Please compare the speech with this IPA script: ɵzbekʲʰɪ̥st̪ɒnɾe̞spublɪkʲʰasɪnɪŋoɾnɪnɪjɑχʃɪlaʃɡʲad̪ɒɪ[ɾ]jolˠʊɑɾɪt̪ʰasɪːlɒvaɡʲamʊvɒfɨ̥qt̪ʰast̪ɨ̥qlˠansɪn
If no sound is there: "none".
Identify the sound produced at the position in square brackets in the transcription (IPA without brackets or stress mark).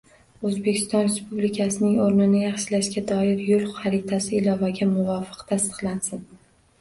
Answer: ɾ